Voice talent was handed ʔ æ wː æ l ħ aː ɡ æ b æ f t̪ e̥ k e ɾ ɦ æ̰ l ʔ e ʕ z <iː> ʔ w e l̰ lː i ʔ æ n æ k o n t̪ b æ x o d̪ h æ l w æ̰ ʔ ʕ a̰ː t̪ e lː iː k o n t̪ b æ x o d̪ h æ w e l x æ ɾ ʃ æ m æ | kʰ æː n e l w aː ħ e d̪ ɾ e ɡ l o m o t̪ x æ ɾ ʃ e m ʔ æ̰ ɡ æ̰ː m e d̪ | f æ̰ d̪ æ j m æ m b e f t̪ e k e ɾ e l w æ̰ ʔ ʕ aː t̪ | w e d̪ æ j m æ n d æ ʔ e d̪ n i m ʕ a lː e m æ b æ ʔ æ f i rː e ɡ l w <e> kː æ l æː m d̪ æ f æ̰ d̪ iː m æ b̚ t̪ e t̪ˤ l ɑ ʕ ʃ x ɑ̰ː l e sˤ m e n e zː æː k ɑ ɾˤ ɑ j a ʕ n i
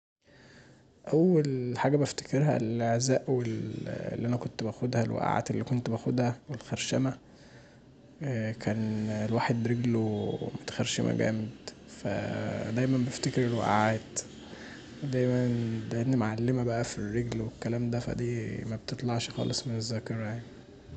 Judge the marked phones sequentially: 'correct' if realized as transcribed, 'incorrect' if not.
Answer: incorrect: æː, correct

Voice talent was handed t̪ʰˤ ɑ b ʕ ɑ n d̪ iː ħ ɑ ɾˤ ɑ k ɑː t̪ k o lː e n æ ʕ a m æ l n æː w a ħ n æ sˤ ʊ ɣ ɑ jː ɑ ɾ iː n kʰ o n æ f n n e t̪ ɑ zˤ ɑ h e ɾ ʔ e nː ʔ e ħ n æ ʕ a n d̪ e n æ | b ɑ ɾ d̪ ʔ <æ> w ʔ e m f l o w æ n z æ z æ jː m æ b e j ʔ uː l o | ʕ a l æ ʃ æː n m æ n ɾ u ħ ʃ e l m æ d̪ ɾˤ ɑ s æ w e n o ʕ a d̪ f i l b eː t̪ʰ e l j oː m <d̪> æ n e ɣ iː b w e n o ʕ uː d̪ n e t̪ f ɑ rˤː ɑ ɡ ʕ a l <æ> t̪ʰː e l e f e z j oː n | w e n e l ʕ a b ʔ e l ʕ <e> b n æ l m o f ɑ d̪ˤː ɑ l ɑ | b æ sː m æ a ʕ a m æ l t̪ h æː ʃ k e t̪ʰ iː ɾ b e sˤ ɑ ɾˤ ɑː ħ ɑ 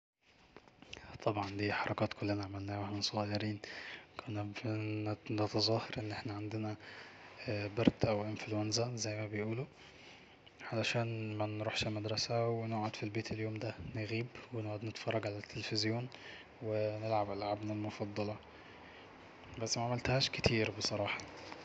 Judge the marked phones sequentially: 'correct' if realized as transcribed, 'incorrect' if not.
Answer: correct, correct, correct, incorrect: a

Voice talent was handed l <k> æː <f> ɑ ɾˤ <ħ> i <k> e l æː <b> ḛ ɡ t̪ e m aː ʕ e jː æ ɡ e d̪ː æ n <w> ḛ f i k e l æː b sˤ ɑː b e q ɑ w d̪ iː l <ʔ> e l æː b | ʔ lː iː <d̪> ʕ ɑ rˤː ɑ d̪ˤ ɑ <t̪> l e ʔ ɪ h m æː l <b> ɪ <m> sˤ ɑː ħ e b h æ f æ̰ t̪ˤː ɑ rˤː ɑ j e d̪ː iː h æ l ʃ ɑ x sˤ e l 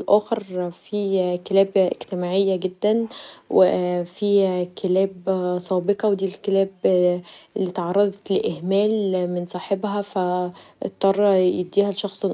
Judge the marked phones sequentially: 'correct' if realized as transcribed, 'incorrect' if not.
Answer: incorrect: ʔ, incorrect: x, incorrect: f, correct, correct, correct, incorrect: k, incorrect: t̪, correct, incorrect: m, incorrect: n

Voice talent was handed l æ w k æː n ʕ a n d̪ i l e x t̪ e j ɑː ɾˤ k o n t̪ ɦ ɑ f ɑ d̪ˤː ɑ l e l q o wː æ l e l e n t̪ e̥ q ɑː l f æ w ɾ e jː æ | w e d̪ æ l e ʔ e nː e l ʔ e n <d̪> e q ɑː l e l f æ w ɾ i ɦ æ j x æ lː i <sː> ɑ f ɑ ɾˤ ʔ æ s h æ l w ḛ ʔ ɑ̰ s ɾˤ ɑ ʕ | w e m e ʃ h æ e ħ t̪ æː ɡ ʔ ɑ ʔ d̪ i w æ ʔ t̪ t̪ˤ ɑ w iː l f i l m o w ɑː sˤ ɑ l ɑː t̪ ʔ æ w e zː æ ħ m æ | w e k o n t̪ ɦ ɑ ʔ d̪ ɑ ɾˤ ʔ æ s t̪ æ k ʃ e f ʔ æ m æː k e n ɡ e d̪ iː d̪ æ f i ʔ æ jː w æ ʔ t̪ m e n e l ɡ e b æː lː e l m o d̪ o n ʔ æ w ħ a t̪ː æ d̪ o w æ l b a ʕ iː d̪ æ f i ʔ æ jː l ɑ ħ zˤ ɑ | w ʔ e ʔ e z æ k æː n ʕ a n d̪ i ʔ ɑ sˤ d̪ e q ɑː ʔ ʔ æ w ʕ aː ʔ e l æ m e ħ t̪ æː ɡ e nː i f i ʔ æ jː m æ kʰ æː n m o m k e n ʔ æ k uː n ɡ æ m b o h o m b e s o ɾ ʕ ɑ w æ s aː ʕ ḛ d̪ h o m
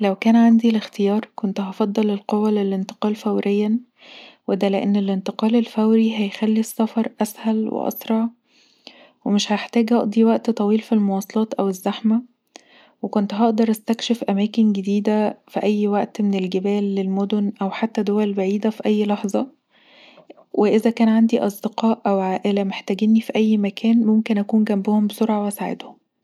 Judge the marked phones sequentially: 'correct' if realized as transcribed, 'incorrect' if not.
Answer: incorrect: t̪, correct

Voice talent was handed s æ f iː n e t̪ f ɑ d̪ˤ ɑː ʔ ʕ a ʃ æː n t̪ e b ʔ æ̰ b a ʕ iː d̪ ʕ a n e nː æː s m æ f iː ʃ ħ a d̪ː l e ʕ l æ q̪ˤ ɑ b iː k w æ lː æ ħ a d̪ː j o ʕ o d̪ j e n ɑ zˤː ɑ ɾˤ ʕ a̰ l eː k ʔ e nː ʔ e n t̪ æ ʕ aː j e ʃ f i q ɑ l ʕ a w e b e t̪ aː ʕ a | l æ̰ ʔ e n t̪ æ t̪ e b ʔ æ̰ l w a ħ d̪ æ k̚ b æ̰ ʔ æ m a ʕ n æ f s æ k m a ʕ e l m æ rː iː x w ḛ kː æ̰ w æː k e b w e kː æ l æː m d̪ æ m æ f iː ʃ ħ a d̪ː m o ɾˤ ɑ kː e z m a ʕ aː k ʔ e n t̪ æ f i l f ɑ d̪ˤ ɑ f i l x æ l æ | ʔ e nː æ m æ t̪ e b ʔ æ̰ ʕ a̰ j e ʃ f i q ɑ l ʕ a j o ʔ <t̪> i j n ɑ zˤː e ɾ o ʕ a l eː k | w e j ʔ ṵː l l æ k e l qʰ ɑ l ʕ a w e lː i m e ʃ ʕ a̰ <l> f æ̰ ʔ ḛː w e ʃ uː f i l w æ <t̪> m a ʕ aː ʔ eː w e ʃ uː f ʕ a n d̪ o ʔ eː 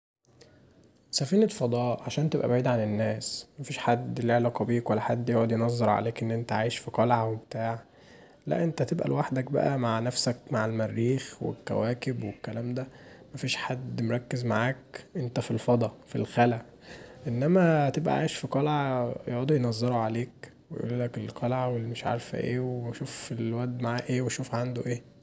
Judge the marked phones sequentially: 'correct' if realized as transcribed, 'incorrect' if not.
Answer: incorrect: d̪, incorrect: ɾ, incorrect: d̪

